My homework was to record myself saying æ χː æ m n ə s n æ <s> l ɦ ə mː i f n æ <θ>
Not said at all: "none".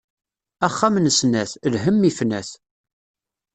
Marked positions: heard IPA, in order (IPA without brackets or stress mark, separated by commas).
θ, θ